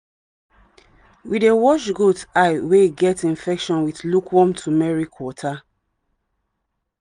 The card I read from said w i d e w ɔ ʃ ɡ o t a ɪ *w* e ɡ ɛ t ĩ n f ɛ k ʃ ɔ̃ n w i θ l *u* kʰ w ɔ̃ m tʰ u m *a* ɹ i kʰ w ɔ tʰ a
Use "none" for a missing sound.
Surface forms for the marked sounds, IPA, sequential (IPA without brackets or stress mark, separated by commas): w, u, ɛ